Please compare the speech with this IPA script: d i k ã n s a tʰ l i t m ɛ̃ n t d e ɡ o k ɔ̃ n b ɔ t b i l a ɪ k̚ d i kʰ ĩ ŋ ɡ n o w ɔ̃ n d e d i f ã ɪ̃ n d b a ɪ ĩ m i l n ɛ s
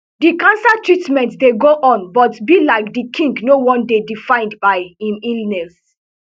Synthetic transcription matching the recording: d i k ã n s a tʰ ɹ i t m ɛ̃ n t d e ɡ o ʔ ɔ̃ n b ɔ t b i l a ɪ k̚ d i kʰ ĩ ŋ ɡ n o w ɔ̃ n d e d i f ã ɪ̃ n d b a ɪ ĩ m i l n ɛ s